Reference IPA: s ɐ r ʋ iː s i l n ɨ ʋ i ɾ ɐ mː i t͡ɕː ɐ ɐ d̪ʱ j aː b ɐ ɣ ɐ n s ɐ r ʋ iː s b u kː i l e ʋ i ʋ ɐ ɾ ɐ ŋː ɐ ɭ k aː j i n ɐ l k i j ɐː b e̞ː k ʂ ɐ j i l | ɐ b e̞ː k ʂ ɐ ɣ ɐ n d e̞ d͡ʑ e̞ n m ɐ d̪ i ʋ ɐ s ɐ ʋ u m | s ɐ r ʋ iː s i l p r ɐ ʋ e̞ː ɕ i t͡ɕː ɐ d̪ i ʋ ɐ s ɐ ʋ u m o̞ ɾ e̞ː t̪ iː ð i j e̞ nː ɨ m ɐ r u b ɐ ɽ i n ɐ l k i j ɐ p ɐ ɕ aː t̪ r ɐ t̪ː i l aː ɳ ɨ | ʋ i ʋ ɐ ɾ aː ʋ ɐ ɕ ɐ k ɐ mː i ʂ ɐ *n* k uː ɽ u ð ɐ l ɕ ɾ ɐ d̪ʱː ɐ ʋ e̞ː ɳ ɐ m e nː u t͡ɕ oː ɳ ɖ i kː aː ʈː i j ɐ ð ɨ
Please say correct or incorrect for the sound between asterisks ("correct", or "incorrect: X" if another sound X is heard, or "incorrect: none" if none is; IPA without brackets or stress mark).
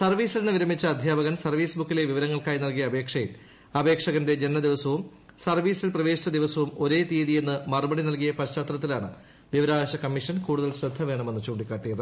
correct